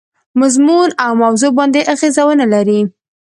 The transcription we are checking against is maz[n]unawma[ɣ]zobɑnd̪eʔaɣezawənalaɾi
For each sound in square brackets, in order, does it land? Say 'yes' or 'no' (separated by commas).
no, no